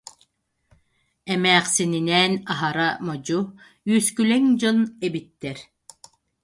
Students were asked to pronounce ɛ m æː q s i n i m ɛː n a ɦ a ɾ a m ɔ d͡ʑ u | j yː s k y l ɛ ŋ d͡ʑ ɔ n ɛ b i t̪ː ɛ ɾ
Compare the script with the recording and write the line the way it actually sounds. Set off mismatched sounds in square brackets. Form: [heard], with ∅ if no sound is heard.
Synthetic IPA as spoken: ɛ m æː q s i n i [n] ɛː n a ɦ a ɾ a m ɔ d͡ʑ u | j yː s k y l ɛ ŋ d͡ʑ ɔ n ɛ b i t̪ː ɛ ɾ